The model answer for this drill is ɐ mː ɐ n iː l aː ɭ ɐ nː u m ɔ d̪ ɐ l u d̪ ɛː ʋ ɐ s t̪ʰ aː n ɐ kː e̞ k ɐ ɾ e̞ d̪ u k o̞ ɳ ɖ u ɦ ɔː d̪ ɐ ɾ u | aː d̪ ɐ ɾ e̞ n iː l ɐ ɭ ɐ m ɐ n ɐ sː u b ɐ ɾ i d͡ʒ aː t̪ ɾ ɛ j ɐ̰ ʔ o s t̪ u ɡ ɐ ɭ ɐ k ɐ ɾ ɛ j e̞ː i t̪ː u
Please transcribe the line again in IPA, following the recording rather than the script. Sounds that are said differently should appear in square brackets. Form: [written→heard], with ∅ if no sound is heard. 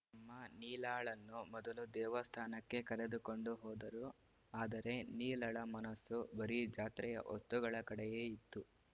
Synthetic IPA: ɐ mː ɐ n iː l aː ɭ ɐ nː u m ɔ d̪ ɐ l u d̪ ɛː ʋ ɐ s t̪ʰ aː n ɐ kː e̞ k ɐ ɾ e̞ d̪ u k o̞ ɳ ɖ u ɦ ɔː d̪ ɐ ɾ u | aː d̪ ɐ ɾ e̞ n iː l ɐ ɭ ɐ m ɐ n ɐ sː u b ɐ ɾ i d͡ʒ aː t̪ ɾ ɛ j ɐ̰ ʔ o s t̪ u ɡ ɐ ɭ ɐ k ɐ [ɾ→ɽ] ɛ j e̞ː i t̪ː u